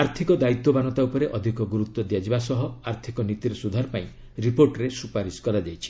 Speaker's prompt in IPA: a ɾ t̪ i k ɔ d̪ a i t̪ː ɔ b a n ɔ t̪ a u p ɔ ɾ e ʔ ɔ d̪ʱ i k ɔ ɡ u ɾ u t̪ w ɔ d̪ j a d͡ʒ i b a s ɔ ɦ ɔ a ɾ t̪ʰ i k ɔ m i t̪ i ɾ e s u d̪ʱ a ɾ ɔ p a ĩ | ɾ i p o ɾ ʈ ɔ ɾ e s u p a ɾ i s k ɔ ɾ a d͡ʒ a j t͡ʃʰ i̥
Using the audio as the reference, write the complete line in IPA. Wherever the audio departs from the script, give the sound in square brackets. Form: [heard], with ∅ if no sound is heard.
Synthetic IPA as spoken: a ɾ [t̪ʰ] i k ɔ d̪ a i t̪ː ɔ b a n ɔ t̪ a u p ɔ ɾ e ʔ ɔ d̪ʱ i k ɔ ɡ u ɾ u t̪ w ɔ d̪ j a d͡ʒ i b a s ɔ ɦ ɔ a ɾ t̪ʰ i k ɔ [n] i t̪ i ɾ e s u d̪ʱ a ɾ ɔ p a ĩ | ɾ i p o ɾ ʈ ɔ ɾ e s u p a ɾ i s k ɔ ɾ a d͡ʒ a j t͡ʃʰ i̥